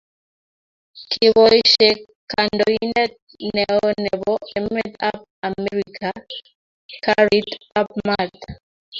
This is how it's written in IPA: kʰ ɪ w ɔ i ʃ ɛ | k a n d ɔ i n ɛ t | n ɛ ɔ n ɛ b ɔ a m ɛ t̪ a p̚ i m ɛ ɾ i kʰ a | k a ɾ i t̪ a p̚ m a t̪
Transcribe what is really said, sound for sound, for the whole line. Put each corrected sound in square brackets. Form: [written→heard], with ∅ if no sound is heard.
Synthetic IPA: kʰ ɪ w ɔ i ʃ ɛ | k a n d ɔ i n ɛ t | n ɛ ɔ n ɛ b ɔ [a→ɛ] m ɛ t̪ a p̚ [i→a] m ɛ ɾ i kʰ a | k a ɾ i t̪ a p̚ m a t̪